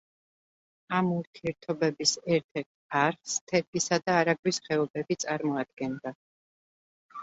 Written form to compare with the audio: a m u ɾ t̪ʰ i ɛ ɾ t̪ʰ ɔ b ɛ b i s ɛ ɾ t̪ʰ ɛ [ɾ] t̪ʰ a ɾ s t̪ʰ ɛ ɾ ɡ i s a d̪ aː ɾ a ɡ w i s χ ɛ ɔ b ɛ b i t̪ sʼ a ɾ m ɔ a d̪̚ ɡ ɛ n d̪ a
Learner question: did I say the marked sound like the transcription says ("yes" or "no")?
yes